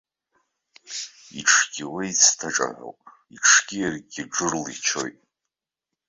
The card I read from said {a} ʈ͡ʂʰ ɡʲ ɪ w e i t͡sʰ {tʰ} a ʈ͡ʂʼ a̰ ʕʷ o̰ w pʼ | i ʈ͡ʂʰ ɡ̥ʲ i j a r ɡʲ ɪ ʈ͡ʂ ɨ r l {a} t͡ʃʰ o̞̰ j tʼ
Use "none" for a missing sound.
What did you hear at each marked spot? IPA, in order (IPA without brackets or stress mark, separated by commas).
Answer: i, tʰ, i